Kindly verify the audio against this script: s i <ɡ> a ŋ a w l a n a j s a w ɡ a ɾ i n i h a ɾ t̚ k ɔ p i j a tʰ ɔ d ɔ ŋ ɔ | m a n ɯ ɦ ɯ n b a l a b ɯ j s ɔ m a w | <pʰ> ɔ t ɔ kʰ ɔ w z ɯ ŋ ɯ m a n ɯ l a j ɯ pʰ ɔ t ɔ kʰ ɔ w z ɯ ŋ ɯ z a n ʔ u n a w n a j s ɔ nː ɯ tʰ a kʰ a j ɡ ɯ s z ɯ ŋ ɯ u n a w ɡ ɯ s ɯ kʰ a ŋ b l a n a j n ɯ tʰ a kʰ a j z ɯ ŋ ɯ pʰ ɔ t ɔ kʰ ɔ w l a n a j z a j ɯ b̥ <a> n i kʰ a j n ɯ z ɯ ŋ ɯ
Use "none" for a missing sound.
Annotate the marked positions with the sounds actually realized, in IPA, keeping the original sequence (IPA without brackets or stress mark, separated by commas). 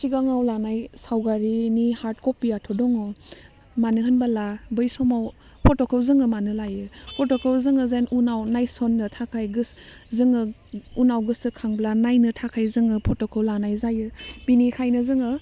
ɡ, pʰ, i